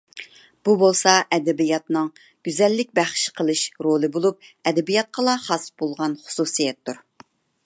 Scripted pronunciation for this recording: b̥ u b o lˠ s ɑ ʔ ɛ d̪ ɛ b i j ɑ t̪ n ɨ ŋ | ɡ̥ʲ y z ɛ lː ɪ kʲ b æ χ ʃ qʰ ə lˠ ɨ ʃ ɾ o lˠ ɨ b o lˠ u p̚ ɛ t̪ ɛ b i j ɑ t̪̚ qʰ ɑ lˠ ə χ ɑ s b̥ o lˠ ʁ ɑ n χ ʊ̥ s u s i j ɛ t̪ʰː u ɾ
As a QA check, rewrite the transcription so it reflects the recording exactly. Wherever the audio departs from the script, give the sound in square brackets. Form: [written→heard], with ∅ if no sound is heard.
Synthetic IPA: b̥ u b o lˠ s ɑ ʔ ɛ d̪ ɛ b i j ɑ t̪ n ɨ ŋ | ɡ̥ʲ y z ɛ lː ɪ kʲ b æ χ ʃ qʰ ə lˠ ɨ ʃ ɾ o lˠ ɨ b o lˠ u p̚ ɛ [t̪→d̪] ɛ b i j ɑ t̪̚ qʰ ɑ lˠ [ə→ɑ] χ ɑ s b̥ o lˠ ʁ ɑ n χ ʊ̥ s u s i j ɛ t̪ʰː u ɾ